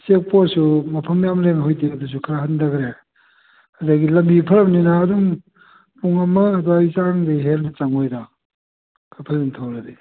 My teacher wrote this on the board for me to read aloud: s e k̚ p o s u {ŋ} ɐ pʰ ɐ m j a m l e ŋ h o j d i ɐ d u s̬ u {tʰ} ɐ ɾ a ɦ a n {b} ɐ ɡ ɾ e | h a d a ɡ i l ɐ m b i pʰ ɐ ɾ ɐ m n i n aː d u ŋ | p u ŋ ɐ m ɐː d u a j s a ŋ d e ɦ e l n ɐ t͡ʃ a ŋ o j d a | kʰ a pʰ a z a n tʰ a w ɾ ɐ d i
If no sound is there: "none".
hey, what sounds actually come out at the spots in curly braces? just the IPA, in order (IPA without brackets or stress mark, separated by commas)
m, kʰ, d